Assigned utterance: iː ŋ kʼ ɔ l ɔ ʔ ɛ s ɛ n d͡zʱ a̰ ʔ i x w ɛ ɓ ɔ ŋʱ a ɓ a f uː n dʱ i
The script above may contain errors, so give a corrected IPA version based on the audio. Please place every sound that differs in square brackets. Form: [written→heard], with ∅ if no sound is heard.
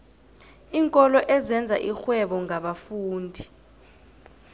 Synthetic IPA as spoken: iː ŋ kʼ ɔ l ɔ ʔ ɛ [s→z] ɛ n d͡zʱ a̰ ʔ i x w ɛ ɓ ɔ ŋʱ a ɓ a f uː n dʱ i

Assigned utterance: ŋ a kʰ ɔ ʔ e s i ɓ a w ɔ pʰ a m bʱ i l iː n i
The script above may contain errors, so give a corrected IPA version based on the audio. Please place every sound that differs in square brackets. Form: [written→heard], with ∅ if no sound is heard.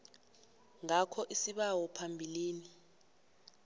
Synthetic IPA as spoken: ŋ a kʰ ɔ ʔ [e→i] s i ɓ a w ɔ pʰ a m bʱ i l iː n i

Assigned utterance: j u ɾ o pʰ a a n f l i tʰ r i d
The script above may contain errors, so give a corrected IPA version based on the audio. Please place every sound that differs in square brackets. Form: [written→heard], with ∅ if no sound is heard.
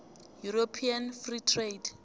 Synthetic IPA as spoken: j u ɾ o pʰ [a→i] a n f [l→r] i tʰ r [i→e] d

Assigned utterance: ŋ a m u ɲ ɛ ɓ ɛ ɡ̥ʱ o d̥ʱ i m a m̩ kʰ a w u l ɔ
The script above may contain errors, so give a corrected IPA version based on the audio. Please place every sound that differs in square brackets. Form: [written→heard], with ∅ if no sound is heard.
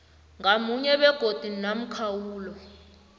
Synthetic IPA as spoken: ŋ a m u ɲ ɛ ɓ ɛ ɡ̥ʱ o d̥ʱ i [m→n] a m̩ kʰ a w [u→uː] l ɔ

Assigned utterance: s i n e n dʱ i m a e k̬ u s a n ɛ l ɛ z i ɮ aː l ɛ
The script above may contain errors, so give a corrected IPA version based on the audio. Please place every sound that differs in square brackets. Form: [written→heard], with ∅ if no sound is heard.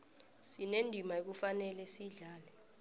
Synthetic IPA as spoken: s i n e n dʱ i m a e k̬ u [s→f] a n ɛ l ɛ [z→s] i ɮ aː l ɛ

